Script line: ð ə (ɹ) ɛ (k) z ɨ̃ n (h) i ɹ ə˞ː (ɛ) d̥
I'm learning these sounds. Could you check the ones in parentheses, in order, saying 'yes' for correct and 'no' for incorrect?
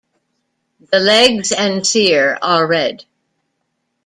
no, no, no, yes

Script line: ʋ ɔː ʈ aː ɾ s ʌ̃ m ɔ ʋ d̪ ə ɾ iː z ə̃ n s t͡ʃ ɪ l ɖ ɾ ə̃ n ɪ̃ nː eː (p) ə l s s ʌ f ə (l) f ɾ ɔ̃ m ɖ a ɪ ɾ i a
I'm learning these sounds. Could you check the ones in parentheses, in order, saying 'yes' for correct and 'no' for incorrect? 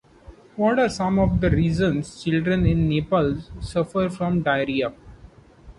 yes, no

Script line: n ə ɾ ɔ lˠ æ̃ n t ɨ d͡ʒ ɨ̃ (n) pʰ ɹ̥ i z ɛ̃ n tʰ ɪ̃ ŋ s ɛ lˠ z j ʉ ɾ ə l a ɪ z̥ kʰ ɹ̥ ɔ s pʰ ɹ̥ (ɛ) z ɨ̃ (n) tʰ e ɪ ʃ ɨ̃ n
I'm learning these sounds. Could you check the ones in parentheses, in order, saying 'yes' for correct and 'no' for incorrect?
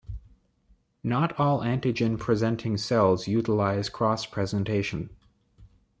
yes, yes, yes

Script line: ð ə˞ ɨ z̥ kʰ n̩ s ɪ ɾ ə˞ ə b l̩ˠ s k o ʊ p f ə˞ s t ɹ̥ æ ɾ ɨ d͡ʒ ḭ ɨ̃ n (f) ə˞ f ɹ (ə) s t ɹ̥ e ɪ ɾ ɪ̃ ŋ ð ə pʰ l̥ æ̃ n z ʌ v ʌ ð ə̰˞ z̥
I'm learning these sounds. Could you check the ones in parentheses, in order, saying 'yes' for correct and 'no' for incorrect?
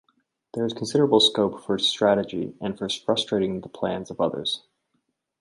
yes, no

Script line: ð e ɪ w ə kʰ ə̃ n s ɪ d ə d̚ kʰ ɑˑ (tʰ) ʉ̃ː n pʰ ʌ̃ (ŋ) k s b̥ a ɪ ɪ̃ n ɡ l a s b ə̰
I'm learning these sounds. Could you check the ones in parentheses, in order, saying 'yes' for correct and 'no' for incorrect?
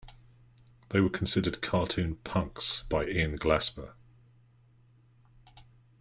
yes, yes

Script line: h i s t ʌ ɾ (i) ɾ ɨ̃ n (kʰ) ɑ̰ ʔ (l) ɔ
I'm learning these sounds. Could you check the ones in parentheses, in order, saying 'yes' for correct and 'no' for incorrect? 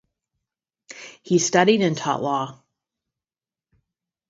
yes, no, yes

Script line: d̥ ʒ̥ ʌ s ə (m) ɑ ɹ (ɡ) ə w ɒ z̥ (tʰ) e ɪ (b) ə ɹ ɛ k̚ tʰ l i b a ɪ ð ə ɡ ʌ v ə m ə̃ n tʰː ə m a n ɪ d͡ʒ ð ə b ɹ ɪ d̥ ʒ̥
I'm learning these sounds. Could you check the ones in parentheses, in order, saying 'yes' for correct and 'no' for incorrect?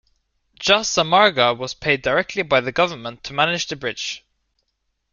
yes, yes, no, no

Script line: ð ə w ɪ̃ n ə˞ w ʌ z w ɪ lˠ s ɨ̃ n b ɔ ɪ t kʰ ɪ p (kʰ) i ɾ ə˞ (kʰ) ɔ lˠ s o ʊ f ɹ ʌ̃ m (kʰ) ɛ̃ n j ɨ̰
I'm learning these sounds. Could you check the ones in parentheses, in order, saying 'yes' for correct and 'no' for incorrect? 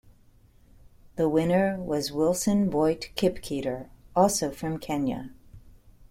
yes, no, yes

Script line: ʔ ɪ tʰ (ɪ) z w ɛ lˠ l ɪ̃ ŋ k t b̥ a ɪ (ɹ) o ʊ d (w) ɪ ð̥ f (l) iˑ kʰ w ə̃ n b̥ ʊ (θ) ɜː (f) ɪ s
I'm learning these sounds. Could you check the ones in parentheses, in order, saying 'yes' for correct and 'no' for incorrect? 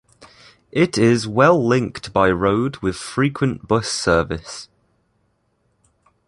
yes, yes, yes, no, no, no

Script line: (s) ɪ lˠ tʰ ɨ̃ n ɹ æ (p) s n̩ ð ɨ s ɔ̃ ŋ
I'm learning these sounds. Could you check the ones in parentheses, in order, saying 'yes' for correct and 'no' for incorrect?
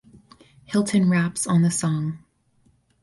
no, yes

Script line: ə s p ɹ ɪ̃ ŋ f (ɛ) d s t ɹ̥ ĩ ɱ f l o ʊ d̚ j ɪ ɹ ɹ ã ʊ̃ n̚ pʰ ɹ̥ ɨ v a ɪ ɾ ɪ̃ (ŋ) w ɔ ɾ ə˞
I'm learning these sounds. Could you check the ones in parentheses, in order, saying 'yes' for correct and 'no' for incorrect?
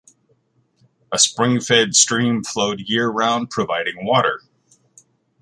yes, yes

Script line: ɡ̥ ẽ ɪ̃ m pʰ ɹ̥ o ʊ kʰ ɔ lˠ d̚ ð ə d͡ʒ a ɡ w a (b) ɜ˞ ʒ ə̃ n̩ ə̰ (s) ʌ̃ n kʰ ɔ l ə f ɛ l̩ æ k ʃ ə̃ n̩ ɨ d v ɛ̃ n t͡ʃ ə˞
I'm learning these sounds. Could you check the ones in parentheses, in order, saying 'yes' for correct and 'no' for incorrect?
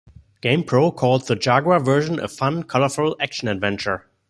no, no

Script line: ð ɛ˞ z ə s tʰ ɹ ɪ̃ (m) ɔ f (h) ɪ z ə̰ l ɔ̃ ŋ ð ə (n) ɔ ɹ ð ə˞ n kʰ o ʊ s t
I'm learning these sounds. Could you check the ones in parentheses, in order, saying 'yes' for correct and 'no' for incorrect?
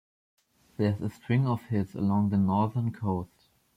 no, yes, yes

